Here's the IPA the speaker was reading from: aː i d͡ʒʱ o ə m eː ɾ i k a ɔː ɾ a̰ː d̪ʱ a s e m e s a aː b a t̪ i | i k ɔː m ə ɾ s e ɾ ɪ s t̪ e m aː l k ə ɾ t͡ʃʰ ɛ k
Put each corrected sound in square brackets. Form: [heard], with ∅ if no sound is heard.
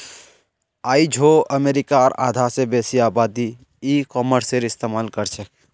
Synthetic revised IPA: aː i d͡ʒʱ o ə m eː ɾ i k a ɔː ɾ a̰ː d̪ʱ a s e [b] e s [i] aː b a [d̪] i | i k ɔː m ə ɾ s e ɾ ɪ s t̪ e m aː l k ə ɾ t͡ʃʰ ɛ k